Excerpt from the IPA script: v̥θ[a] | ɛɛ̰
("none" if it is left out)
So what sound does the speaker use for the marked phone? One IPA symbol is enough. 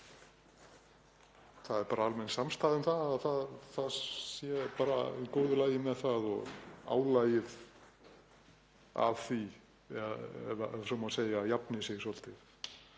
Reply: i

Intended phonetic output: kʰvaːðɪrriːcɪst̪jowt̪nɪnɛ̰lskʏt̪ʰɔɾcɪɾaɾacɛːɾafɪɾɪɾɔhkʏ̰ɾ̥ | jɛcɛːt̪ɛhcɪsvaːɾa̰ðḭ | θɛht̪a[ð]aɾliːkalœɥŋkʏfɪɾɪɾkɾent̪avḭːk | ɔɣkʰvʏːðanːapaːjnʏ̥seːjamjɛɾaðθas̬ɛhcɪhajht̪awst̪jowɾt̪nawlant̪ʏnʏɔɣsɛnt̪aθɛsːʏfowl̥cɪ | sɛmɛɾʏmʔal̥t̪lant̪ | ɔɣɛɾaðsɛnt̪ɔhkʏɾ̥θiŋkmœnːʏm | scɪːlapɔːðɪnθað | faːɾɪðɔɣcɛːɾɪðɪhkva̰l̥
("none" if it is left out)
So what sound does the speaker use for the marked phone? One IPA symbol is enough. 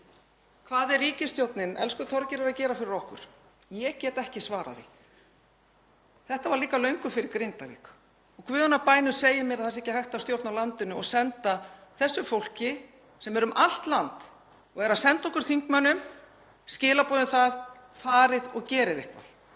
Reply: v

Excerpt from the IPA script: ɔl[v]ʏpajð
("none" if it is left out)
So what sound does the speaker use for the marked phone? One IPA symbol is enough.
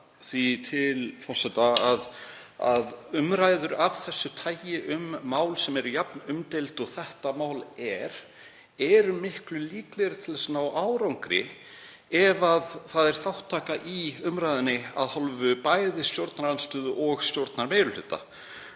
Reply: v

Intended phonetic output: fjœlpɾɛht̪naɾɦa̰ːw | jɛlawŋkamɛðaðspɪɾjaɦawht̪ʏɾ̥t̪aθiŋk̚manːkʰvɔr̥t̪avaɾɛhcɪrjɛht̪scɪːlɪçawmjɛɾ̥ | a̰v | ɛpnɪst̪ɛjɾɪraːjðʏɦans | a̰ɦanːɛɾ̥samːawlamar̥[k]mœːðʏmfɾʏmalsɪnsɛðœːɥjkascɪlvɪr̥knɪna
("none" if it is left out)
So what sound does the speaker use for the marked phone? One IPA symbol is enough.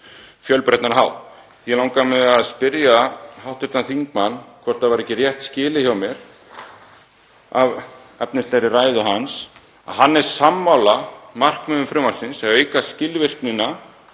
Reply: k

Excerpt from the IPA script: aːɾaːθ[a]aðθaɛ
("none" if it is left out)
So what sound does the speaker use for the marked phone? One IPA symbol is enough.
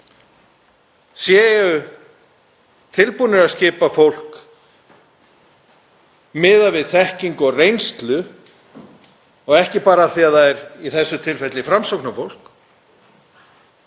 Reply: i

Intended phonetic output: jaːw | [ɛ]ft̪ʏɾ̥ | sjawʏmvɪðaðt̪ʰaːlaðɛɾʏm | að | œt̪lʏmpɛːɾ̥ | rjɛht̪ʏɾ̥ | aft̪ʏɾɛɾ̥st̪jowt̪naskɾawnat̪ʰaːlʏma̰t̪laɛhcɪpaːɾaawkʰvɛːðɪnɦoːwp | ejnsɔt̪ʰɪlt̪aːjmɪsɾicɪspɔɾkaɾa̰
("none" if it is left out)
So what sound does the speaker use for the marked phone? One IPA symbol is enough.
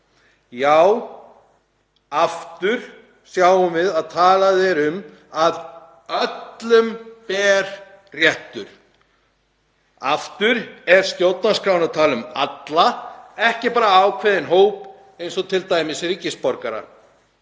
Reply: a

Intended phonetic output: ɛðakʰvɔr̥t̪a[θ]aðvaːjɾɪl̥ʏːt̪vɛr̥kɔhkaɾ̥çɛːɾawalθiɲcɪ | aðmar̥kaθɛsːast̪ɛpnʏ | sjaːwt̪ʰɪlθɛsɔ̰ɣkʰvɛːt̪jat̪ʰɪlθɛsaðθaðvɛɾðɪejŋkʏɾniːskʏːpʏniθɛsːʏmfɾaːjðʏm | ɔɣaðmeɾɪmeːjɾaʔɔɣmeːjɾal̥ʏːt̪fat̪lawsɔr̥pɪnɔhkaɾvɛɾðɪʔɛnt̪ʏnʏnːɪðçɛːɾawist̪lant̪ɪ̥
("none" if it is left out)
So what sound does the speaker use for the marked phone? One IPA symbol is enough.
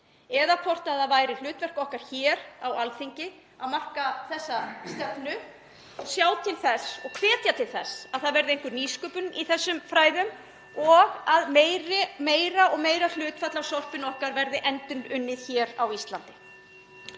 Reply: ð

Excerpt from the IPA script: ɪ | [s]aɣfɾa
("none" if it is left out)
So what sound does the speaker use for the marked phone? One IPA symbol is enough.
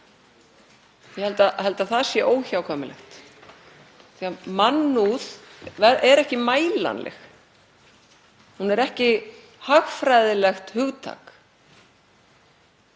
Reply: h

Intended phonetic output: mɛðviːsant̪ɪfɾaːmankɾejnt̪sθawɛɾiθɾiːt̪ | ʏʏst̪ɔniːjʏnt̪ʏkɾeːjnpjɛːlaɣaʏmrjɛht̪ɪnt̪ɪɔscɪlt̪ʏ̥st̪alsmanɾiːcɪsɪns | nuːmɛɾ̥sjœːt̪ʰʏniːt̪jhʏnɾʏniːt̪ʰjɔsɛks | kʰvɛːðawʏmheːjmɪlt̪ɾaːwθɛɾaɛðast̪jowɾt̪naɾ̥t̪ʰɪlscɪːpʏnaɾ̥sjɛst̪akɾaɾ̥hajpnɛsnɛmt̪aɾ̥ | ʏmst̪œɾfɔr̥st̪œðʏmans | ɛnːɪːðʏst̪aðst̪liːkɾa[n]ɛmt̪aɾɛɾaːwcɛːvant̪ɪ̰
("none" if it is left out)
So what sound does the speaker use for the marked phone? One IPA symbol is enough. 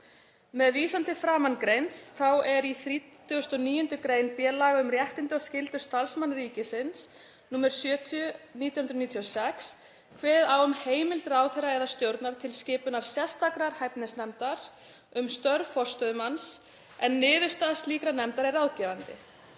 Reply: n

